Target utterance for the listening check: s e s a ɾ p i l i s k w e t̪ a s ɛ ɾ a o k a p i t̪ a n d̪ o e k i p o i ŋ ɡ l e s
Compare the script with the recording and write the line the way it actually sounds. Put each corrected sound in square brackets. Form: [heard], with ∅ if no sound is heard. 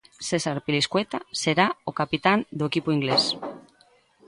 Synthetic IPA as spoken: s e s a ɾ p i l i s k w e t̪ a s [e] ɾ a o k a p i t̪ a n d̪ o e k i p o i ŋ ɡ l e s